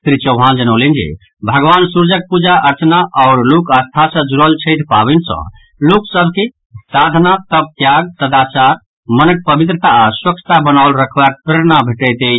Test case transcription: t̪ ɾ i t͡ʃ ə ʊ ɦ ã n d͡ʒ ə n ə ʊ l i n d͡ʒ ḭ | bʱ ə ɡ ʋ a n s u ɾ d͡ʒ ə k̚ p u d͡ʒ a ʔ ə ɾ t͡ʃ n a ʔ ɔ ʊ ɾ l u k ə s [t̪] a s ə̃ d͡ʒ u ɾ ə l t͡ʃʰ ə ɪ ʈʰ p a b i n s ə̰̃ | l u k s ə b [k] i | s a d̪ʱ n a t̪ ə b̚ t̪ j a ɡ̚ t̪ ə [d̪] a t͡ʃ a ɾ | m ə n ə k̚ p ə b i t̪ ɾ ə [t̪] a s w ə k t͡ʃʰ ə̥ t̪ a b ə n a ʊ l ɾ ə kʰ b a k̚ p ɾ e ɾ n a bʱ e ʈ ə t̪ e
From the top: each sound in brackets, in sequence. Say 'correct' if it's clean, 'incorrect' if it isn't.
incorrect: t̪ʰ, correct, correct, correct

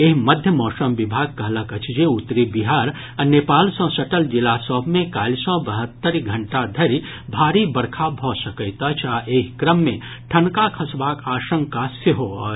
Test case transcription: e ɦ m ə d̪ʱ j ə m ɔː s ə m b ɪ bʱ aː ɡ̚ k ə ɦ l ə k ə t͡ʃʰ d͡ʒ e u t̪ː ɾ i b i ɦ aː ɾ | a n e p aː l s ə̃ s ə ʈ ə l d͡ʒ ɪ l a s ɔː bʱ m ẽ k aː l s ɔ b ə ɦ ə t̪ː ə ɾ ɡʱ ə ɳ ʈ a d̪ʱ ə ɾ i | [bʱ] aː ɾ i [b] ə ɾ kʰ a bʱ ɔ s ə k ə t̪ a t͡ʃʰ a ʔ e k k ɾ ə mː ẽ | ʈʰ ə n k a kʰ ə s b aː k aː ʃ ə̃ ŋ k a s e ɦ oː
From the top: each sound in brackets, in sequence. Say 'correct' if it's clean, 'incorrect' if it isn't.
correct, correct

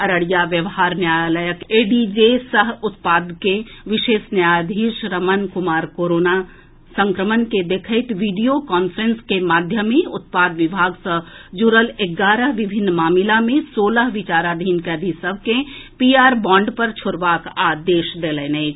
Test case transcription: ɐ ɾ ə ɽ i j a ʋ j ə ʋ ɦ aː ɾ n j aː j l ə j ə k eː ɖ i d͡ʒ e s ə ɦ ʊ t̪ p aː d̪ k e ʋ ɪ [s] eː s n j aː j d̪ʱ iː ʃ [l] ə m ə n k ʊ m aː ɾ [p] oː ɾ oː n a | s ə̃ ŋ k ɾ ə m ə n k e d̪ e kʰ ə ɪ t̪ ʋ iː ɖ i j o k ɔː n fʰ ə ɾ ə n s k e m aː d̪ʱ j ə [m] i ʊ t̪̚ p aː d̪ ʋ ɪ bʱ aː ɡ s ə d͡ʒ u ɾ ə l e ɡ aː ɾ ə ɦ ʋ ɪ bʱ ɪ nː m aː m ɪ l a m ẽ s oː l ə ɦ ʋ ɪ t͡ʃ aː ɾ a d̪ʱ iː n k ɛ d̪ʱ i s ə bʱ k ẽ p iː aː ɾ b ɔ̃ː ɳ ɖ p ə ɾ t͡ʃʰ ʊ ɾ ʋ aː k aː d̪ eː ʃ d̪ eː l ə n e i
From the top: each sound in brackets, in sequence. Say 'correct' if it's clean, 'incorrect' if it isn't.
incorrect: ʃ, incorrect: ɾ, incorrect: k, correct

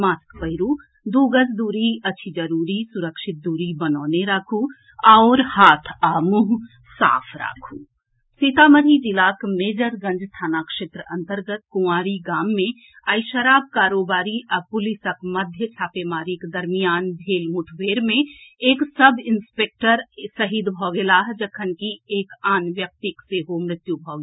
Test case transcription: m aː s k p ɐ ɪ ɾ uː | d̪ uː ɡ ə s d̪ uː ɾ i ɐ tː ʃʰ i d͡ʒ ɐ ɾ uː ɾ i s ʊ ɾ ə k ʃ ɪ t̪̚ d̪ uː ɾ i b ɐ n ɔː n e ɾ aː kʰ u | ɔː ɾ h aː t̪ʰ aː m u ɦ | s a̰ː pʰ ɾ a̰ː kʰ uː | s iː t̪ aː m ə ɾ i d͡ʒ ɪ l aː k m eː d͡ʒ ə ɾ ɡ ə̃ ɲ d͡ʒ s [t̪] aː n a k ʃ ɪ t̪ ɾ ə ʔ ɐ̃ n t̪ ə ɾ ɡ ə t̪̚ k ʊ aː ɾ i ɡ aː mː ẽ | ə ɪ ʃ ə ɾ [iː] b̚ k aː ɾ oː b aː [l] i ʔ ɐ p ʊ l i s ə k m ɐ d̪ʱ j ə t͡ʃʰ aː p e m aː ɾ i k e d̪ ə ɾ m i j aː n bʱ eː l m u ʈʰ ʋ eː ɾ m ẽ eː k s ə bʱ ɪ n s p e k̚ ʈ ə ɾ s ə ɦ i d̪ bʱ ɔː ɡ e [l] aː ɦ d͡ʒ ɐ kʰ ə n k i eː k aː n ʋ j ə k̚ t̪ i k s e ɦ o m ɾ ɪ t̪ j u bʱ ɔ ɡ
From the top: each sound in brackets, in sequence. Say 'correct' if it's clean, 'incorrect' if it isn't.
incorrect: t̪ʰ, incorrect: aː, incorrect: ɾ, correct

